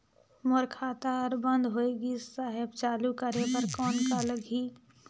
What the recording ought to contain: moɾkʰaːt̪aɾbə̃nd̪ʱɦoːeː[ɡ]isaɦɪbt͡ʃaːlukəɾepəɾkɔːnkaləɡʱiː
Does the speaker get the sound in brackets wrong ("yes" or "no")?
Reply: no